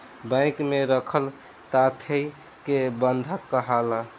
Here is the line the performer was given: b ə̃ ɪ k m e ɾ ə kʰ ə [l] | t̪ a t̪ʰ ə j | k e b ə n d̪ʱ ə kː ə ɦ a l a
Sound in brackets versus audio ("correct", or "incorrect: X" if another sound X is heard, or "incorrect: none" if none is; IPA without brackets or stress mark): correct